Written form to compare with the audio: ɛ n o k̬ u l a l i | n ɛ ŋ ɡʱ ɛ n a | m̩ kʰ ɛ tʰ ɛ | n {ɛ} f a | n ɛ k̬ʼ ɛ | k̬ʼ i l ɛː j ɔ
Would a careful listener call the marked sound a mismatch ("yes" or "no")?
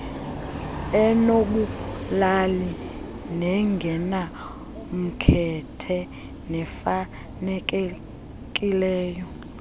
no